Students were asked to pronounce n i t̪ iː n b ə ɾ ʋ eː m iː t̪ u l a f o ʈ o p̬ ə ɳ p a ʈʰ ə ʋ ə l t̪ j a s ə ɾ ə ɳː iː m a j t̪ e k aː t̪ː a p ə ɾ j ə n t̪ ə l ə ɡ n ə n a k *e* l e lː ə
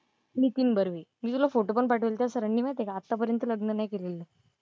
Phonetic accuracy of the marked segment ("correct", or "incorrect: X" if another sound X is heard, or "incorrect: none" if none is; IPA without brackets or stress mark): correct